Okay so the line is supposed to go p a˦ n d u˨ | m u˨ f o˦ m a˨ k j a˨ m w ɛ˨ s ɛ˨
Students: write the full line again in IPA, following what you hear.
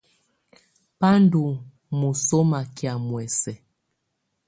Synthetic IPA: p a˦ n d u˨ | m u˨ s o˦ m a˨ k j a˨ m w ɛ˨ s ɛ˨